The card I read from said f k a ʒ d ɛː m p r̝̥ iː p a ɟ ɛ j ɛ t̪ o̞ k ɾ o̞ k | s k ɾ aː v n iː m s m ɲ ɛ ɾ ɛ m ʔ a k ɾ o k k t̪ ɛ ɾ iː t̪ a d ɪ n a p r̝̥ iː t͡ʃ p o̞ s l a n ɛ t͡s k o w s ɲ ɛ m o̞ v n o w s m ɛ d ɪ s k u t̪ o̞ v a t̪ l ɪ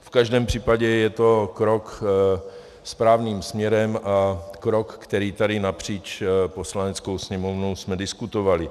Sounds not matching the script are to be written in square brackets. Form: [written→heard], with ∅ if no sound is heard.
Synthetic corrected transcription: f k a ʒ d ɛː m p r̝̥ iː p a ɟ ɛ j ɛ t̪ o̞ k ɾ o̞ k | s [k→p] ɾ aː v n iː m s m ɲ ɛ ɾ ɛ m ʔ a k ɾ o k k t̪ ɛ ɾ iː t̪ a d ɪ n a p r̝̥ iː t͡ʃ p o̞ s l a n ɛ t͡s k o w s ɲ ɛ m o̞ v n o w s m ɛ d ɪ s k u t̪ o̞ v a [t̪→∅] l ɪ